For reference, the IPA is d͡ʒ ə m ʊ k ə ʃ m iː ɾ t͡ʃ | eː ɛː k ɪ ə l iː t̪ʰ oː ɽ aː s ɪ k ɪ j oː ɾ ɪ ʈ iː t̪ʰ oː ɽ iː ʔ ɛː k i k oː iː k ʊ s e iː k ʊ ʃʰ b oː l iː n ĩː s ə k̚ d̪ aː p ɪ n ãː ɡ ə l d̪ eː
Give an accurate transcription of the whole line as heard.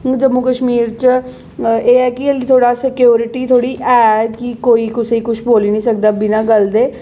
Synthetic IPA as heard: d͡ʒ ə m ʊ k ə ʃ m iː ɾ t͡ʃ | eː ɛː k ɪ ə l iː t̪ʰ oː ɽ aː s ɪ k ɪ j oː ɾ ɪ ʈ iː t̪ʰ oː ɽ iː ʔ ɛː k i k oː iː k ʊ s e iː k ʊ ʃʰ b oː l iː n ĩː s ə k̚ d̪ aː b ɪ n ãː ɡ ə l d̪ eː